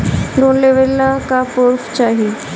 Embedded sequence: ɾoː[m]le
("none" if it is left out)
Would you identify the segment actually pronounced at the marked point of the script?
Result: n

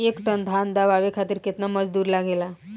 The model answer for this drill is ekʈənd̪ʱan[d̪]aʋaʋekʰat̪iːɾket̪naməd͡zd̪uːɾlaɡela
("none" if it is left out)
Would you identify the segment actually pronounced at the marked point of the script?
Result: d̪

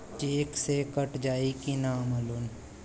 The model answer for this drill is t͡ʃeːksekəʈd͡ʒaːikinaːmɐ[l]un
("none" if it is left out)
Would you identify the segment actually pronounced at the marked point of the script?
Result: l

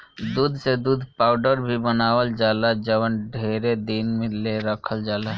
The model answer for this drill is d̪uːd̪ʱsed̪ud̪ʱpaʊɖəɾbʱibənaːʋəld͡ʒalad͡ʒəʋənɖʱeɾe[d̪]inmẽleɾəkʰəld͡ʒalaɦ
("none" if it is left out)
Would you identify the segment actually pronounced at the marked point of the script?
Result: d̪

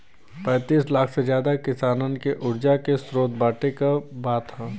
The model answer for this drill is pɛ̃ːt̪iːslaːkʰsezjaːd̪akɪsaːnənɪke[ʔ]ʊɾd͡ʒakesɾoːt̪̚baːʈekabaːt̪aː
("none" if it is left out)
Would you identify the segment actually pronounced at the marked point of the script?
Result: ʔ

